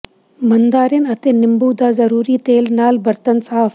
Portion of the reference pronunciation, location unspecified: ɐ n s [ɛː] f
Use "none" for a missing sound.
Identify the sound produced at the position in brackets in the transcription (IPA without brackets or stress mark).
aː